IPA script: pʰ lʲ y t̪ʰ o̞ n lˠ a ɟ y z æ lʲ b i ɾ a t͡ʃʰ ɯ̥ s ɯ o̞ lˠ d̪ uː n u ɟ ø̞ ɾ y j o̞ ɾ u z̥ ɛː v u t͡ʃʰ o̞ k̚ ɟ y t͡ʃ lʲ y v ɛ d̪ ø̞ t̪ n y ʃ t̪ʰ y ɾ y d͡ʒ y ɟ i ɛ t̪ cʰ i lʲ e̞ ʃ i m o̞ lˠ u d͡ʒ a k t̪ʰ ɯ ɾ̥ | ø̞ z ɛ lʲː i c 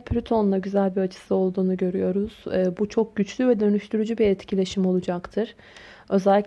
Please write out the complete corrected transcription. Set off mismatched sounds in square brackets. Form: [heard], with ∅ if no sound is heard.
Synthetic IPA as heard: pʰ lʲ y t̪ʰ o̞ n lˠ a ɟ y z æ lʲ b i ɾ a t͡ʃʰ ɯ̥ s ɯ o̞ lˠ d̪ uː n u ɟ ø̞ ɾ y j o̞ ɾ u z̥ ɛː [b] u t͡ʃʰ o̞ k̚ ɟ y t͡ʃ lʲ y v ɛ d̪ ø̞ [∅] n y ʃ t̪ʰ y ɾ y d͡ʒ y [b] i ɛ t̪ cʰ i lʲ e̞ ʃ i m o̞ lˠ u d͡ʒ a k t̪ʰ ɯ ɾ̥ | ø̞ z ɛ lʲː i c